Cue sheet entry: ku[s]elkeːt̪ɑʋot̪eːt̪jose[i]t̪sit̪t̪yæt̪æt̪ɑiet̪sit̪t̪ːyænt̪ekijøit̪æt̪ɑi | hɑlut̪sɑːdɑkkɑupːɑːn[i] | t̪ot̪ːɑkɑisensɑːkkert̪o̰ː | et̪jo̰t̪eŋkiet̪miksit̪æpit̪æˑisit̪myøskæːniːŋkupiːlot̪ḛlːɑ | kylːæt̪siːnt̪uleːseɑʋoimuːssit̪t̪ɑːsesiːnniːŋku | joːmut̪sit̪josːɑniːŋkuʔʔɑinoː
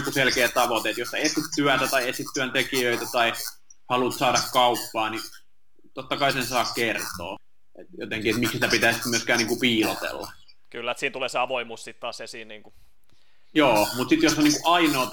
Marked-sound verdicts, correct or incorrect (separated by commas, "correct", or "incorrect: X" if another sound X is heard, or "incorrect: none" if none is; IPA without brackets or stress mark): correct, incorrect: e, correct